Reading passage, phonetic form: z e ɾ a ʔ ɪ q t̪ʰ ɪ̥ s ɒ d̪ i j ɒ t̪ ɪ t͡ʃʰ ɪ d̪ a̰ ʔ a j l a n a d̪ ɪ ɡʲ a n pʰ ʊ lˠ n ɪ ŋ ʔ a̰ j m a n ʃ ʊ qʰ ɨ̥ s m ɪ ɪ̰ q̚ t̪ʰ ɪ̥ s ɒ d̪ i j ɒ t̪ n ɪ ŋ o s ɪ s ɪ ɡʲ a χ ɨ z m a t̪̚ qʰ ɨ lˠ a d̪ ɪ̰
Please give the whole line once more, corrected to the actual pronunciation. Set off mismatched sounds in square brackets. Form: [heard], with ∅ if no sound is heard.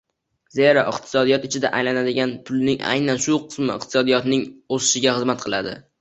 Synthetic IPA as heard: z e ɾ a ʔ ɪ q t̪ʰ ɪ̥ s ɒ d̪ i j ɒ t̪ ɪ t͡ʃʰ ɪ d̪ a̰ ʔ a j l a n a d̪ ɪ ɡʲ a n pʰ ʊ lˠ n ɪ ŋ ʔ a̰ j [n] a n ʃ ʊ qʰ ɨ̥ s m ɪ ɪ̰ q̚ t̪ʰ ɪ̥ s ɒ d̪ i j ɒ t̪ n ɪ ŋ o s ɪ [ʃ] ɪ ɡʲ a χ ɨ z m a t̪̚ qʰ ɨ lˠ a d̪ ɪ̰